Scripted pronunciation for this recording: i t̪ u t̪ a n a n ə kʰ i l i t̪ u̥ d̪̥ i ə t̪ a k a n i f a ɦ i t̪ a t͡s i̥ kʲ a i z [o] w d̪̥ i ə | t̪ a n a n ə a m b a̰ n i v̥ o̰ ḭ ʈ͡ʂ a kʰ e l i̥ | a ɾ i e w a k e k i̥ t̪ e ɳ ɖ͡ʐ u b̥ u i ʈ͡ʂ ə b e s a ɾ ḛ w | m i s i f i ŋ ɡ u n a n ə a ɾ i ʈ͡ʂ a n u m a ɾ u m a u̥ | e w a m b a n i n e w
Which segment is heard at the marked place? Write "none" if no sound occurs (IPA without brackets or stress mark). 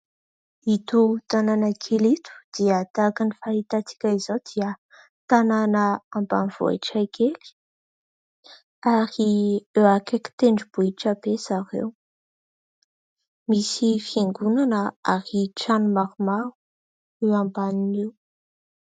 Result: o